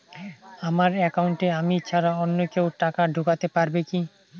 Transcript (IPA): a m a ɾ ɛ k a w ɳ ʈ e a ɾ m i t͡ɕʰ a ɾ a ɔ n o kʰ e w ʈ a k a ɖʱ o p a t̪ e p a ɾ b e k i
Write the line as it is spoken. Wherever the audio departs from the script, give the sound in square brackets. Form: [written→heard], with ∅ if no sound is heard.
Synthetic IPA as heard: a m a ɾ ɛ k a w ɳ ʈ e a [ɾ→∅] m i t͡ɕʰ a ɾ a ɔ [n→nː] o [kʰ→k] e w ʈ a k a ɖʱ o [p→k] a t̪ e p a ɾ b e k i